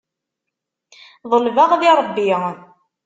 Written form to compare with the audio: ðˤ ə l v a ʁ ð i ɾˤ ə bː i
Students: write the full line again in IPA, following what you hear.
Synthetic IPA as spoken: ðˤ ə l v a ʁ ð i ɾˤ ə bː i

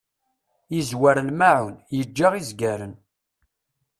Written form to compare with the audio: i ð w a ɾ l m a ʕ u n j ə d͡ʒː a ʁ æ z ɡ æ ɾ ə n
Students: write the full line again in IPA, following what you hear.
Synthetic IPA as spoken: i z w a ɾ l m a ʕ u n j ə d͡ʒː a ʁ i z ɡ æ ɾ ə n

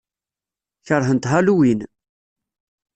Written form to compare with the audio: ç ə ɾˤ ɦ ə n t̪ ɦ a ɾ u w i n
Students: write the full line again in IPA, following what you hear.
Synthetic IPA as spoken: ç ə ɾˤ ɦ ə n t̪ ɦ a l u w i n

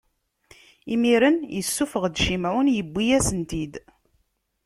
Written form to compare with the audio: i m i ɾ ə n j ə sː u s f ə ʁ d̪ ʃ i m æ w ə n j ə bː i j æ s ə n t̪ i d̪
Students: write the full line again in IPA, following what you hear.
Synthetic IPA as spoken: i m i ɾ ə n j ə sː u f ə ʁ d̪ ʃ i m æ w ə n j ə bː i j æ s ə n t̪ i d̪

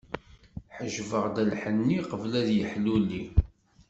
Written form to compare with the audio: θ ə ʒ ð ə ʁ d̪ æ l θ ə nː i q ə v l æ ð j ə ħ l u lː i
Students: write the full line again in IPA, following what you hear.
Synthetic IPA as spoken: ħ ə ʒ v ə ʁ d̪ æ l ħ ə nː i q ə v l æ ð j ə ħ l u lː i

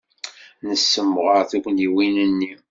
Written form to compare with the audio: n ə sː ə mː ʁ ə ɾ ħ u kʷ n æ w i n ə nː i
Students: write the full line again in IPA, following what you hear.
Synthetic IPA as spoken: n ə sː ə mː ʁ ə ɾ θ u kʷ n i w i n ə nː i

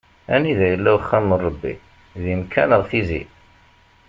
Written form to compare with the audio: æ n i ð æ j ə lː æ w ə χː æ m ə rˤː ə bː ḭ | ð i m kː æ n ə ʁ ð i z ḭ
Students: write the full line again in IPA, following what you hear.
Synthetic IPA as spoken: æ n i ð æ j ə lː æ w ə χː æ m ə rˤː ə bː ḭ | ð i m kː æ n ə ʁ θ i z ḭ

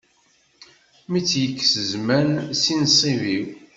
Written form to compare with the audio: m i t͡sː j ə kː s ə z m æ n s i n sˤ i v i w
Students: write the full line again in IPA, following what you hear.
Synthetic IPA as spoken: m i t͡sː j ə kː s ə z m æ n s i n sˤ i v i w

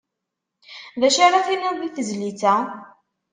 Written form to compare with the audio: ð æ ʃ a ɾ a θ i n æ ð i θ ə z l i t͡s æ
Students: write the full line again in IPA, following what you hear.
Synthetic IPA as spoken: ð æ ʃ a ɾ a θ i n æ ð i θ ə z l i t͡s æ

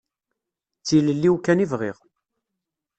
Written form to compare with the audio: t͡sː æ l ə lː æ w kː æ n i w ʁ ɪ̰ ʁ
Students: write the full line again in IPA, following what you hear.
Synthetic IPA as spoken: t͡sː i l ə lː i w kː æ n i v ʁ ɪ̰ ʁ

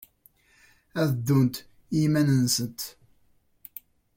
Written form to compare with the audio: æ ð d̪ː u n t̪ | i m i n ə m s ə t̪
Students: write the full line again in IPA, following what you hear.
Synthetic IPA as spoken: æ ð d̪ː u n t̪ | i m æ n ə n s ə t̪

